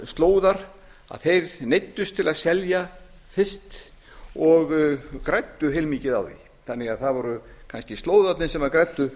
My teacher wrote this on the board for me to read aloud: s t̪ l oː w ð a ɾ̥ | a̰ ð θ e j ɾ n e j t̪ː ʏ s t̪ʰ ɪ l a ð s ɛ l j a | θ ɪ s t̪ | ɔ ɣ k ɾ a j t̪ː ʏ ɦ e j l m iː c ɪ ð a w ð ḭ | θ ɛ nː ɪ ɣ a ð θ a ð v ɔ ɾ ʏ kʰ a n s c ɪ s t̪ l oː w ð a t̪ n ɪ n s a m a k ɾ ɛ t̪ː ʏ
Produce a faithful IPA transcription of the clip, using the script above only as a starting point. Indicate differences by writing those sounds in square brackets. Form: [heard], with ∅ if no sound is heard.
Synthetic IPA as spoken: s t̪ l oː w ð a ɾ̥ | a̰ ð θ e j ɾ n e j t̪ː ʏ s t̪ʰ ɪ l a ð s ɛ l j a | θ ɪ s t̪ | ɔ ɣ k ɾ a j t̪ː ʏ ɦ e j l m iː c ɪ ð a w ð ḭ | θ [a] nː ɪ ɣ a ð θ a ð v ɔ ɾ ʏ kʰ a n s c ɪ s t̪ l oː w ð a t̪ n ɪ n s [ɛ] m a k ɾ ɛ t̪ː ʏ